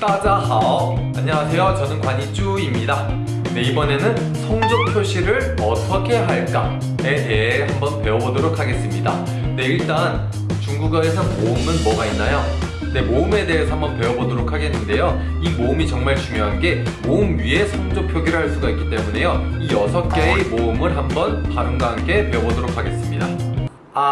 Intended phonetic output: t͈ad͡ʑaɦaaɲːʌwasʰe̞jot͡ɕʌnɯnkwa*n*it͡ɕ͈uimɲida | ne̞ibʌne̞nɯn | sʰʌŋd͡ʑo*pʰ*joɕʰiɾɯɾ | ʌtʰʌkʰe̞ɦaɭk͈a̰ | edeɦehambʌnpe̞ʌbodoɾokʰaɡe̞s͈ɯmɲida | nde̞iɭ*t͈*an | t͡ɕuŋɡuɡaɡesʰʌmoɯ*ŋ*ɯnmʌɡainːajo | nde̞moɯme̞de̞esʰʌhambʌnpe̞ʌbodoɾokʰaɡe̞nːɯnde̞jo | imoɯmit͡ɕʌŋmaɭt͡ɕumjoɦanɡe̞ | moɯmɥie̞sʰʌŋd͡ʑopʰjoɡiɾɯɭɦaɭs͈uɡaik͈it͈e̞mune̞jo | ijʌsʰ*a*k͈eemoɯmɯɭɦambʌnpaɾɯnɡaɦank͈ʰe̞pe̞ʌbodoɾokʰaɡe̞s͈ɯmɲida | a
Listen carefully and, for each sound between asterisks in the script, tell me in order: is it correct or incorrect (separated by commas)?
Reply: incorrect, correct, correct, incorrect, incorrect